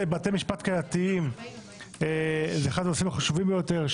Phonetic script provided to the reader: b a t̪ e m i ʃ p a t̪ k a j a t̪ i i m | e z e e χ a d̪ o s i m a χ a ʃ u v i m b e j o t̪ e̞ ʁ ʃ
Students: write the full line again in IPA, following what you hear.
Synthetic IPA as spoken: b a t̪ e m i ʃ p a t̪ k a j a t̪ i i m | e z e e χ a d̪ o s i m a χ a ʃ u v i m b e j o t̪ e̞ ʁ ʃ